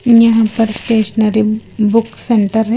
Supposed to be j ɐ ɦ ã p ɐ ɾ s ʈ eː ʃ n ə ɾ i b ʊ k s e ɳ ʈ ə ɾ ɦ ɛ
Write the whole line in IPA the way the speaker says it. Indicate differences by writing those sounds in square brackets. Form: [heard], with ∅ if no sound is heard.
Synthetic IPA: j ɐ ɦ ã p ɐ ɾ s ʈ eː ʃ n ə ɾ i b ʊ k s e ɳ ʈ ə ɾ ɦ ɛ